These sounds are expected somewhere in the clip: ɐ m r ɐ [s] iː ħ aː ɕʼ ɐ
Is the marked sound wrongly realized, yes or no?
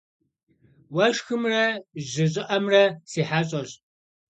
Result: no